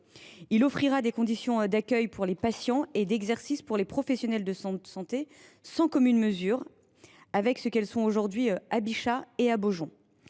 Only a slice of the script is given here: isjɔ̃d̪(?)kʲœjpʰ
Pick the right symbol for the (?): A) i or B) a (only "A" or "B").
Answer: B